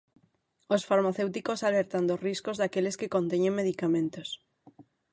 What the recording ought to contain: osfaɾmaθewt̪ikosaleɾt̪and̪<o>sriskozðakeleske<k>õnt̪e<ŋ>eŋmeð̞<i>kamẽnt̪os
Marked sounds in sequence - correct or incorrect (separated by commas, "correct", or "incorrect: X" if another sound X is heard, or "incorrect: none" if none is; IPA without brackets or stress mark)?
correct, correct, incorrect: ɲ, correct